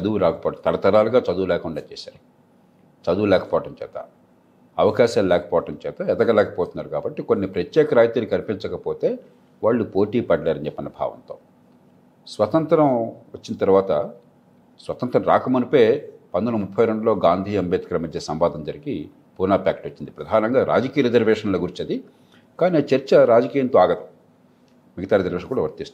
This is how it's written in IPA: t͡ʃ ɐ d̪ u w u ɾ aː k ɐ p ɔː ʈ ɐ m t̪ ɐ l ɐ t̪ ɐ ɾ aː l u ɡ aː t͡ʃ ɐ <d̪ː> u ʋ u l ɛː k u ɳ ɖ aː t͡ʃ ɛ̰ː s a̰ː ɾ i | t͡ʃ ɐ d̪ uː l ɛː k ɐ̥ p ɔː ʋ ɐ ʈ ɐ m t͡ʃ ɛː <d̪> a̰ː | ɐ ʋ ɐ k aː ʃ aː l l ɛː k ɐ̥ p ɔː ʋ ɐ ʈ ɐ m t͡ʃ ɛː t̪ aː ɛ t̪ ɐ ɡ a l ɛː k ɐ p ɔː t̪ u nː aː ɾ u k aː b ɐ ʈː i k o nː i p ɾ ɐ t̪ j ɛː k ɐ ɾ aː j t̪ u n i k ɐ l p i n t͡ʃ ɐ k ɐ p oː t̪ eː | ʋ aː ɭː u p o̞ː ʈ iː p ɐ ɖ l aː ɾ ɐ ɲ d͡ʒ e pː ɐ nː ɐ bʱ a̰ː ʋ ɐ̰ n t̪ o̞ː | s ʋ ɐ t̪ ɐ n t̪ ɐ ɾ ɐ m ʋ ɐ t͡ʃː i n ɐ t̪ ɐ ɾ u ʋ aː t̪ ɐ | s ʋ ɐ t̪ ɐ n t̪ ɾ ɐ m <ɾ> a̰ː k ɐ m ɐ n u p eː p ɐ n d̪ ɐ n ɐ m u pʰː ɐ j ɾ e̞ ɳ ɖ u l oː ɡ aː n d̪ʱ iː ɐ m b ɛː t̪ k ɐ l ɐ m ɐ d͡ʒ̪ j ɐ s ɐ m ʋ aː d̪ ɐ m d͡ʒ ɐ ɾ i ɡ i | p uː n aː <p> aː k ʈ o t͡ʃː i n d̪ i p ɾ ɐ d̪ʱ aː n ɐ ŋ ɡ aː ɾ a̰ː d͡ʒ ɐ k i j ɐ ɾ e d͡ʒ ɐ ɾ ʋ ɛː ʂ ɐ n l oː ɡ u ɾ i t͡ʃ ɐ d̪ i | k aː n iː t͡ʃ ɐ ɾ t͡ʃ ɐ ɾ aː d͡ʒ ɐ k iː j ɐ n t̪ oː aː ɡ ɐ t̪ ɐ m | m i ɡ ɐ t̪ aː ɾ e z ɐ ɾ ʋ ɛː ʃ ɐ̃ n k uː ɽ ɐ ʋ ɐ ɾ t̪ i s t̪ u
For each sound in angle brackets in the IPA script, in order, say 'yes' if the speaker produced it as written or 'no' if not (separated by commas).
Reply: no, no, yes, yes